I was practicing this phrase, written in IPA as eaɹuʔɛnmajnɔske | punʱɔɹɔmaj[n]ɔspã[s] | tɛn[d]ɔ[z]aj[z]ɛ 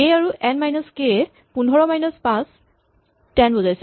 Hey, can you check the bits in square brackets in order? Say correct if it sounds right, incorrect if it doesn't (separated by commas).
correct, correct, incorrect, correct, incorrect